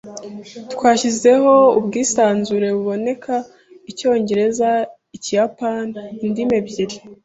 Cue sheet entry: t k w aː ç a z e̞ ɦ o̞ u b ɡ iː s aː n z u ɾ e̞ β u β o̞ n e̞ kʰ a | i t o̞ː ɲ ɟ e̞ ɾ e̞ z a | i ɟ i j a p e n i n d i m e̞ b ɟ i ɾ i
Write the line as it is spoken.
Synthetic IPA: t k w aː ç i z e̞ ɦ o̞ u b ɡ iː s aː n z u ɾ e̞ β u β o̞ n e̞ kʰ a | i c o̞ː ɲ ɟ e̞ ɾ e̞ z a | i c i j a p a n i n d i m e̞ b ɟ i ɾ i